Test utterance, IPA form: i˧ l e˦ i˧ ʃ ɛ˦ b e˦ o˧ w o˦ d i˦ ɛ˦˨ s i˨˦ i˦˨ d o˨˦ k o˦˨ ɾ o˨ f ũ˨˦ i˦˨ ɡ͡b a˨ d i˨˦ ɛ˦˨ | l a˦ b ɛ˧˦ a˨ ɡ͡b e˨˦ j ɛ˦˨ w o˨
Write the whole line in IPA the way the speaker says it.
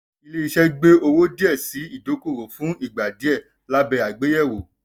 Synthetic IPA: i˧ l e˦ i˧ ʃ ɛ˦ ɡ͡b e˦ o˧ w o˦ d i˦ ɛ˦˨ s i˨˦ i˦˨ d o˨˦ k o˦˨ ɾ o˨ f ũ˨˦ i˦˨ ɡ͡b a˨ d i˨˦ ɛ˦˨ | l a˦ b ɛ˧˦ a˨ ɡ͡b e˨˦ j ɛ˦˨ w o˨